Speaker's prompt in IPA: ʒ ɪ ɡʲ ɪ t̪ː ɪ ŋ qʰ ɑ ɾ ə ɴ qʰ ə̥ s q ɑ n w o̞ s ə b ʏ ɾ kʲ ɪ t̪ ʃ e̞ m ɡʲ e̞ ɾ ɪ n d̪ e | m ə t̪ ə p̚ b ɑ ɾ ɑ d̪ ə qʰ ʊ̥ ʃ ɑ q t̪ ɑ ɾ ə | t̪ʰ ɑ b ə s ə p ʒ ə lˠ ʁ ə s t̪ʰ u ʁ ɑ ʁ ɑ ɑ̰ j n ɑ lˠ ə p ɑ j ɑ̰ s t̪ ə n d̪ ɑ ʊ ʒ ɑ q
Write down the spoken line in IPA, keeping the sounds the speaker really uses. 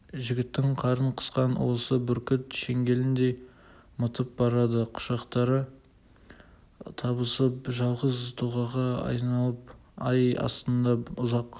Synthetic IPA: ʒ ɪ ɡʲ ɪ t̪ː ɪ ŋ qʰ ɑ ɾ ə ɴ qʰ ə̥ s q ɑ n w o̞ s ə b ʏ ɾ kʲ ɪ t̪ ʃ e̞ ŋ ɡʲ e̞ l ɪ n d̪ e | m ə t̪ ə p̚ b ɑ ɾ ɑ d̪ ə qʰ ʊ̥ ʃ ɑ q t̪ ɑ ɾ ə | t̪ʰ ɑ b ə s ə p ʒ ɑ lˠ ʁ ə z t̪ʰ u ʁ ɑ ʁ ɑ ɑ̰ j n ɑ lˠ ə p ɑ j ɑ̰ s t̪ ə n d̪ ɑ ʊ z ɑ q